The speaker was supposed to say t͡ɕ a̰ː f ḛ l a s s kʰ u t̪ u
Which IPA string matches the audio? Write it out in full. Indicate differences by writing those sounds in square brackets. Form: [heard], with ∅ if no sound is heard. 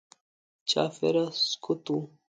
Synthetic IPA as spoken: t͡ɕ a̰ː f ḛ [ɾ] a s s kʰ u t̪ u